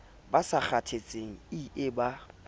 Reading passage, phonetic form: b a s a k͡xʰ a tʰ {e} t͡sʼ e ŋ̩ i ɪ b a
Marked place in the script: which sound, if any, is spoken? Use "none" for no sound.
e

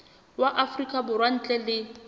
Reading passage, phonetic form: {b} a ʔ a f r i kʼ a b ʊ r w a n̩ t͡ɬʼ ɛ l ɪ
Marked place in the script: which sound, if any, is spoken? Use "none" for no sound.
w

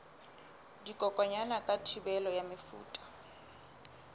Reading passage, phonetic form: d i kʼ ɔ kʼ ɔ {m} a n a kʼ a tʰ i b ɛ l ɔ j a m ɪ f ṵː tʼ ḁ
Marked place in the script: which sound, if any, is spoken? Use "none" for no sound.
ɲ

